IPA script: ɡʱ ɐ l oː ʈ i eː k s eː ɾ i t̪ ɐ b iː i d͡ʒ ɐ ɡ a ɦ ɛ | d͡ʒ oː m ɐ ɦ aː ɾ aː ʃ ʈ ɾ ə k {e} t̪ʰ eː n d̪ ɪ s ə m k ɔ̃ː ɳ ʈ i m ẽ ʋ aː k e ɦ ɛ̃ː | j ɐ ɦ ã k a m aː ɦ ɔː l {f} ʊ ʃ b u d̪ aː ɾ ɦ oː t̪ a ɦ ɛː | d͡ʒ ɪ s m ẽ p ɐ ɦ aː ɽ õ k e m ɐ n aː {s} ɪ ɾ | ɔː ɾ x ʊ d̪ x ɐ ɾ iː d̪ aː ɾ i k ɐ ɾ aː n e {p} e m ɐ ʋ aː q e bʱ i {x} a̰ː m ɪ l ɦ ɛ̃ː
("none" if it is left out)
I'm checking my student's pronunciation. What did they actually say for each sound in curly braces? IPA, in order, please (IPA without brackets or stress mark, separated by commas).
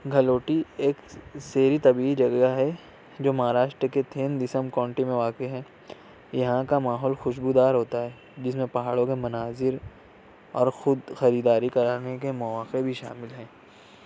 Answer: e, x, z, k, ʃ